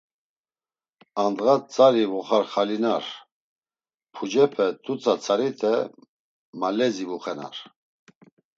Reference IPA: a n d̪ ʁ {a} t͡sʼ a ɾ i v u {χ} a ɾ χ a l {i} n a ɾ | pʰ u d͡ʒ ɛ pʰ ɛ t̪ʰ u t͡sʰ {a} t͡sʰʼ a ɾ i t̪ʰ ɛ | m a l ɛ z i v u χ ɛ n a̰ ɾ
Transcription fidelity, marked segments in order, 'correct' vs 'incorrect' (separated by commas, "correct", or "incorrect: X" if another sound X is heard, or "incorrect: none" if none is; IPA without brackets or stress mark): correct, correct, correct, correct